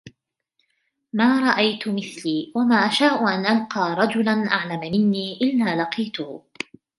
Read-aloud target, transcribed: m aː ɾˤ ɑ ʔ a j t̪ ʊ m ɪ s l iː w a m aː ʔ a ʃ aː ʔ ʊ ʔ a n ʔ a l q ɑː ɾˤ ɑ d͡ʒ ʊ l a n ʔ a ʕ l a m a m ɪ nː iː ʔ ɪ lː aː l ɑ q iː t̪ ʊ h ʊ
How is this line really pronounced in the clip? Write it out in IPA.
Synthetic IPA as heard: m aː ɾˤ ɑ ʔ a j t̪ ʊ m ɪ θ l iː w a m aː ʔ a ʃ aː ʔ ʊ ʔ a n ʔ a l q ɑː ɾˤ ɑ d͡ʒ ʊ l a n ʔ a ʕ l a m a m ɪ nː iː ʔ ɪ lː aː l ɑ q iː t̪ ʊ h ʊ